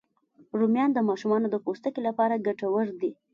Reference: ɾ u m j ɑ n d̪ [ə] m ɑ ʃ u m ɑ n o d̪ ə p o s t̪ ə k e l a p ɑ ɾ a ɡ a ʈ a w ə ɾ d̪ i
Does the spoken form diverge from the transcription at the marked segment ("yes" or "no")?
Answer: no